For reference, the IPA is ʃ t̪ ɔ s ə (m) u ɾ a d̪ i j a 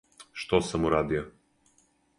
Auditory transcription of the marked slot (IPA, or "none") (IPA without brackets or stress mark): m